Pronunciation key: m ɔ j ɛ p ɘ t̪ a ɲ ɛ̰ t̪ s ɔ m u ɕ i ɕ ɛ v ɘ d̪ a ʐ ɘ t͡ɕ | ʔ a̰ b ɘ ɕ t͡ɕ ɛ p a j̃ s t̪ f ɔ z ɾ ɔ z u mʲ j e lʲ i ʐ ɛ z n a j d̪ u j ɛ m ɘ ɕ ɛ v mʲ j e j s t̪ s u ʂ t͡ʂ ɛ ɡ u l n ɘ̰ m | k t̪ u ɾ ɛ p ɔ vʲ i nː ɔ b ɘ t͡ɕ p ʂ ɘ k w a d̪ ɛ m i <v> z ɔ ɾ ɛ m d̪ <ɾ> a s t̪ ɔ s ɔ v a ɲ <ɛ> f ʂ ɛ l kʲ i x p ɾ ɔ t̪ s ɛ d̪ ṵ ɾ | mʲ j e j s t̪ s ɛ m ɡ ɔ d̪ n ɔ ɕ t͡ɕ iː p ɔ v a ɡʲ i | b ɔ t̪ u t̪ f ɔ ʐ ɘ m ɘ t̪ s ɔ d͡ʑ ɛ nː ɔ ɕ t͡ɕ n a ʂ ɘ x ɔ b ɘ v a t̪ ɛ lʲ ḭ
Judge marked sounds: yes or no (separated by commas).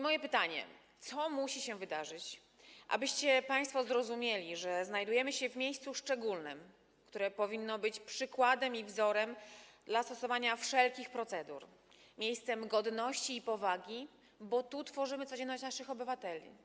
yes, no, no